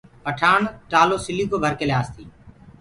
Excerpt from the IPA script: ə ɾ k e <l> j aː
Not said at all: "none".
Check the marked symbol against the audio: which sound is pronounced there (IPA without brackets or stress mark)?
l